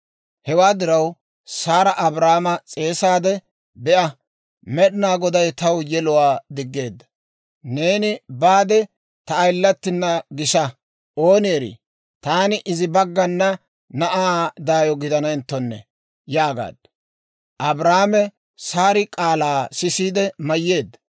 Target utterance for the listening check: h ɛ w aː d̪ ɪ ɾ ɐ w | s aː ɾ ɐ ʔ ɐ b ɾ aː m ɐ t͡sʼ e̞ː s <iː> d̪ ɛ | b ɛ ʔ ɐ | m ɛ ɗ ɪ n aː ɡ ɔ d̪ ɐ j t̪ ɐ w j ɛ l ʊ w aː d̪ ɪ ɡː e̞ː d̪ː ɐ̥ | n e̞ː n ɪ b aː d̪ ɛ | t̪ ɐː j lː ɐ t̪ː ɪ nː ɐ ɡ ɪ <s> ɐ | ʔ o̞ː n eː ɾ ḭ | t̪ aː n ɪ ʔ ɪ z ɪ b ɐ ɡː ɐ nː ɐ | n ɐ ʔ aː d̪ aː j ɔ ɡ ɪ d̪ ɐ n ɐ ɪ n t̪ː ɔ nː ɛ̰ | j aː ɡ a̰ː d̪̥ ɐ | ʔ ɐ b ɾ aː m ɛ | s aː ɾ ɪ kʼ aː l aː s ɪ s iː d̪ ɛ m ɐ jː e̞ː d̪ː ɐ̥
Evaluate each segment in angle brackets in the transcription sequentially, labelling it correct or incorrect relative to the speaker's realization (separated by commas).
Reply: incorrect, incorrect